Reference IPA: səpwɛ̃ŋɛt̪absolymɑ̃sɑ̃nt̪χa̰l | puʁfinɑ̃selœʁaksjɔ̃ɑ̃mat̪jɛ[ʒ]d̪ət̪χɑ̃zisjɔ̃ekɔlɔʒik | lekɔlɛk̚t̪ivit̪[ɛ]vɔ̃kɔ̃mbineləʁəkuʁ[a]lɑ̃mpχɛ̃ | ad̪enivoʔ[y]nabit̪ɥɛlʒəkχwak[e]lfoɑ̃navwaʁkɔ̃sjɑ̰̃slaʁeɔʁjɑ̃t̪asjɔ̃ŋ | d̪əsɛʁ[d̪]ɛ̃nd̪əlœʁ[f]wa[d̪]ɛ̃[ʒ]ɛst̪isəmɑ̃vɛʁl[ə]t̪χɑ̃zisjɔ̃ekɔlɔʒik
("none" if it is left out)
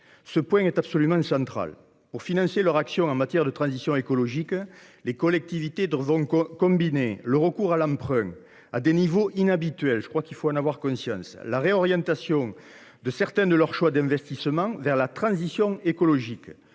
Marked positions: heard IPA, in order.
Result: ʁ, e, a, i, i, t̪, ʃ, d̪, v, a

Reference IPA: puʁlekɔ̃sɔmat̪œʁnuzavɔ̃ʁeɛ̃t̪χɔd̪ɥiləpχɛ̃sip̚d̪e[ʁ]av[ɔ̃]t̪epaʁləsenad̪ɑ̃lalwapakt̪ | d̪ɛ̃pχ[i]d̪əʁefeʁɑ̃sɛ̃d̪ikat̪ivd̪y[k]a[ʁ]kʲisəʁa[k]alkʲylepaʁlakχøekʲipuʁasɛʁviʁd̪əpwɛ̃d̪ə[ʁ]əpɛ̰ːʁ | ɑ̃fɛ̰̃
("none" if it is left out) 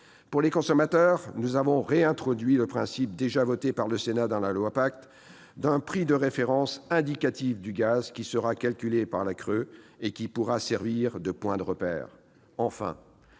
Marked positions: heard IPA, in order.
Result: ʒ, ɔ, i, ɡ, z, k, ʁ

